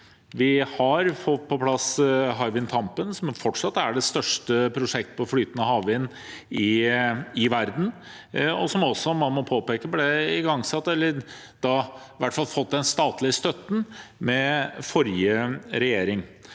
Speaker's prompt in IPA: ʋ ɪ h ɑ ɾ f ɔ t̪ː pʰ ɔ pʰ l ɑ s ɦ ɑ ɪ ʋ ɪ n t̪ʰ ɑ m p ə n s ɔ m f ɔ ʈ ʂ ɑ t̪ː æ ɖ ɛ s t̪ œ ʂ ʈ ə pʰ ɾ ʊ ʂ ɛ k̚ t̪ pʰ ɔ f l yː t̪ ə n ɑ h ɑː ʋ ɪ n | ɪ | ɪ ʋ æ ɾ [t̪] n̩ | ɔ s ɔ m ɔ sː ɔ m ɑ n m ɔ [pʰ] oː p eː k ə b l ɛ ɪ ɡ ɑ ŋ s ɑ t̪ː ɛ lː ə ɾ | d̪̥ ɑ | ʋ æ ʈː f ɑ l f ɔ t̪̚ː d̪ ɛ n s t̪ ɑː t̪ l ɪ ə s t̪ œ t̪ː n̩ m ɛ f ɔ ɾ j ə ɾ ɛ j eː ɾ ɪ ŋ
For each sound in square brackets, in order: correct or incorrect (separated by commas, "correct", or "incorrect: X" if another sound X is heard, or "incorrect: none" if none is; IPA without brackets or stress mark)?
incorrect: d̪, correct